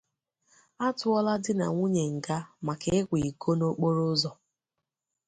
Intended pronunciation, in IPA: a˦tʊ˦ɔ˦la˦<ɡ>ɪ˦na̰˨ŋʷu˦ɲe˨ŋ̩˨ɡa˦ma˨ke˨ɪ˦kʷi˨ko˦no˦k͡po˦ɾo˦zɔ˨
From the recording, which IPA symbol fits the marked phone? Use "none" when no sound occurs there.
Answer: d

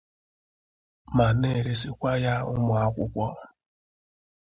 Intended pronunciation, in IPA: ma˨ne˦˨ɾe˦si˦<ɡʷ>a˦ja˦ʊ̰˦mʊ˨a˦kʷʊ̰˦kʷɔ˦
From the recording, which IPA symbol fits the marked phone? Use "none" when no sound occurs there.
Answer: kʷ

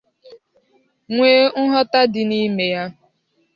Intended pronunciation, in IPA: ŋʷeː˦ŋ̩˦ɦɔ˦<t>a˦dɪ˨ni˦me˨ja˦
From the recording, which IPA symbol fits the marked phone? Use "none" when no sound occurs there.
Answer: t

